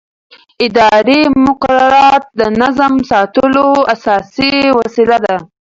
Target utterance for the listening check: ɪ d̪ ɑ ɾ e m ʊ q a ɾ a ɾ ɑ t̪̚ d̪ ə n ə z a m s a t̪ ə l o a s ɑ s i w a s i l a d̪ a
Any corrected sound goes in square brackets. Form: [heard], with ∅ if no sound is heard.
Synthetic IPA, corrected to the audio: ɪ d̪ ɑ ɾ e m ʊ q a ɾ a ɾ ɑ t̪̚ d̪ ə n [a] z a m s [ɑ] t̪ ə l o a s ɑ s i w a s i l a d̪ a